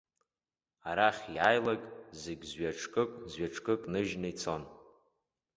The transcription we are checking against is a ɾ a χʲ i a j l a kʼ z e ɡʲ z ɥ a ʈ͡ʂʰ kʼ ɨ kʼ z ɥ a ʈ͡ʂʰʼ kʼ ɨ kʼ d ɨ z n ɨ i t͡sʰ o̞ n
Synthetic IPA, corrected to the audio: a ɾ a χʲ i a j l a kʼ z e ɡʲ z ɥ a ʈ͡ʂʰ kʼ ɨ kʼ z ɥ a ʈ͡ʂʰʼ kʼ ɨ kʼ n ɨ ʒ n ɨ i t͡sʰ o̞ n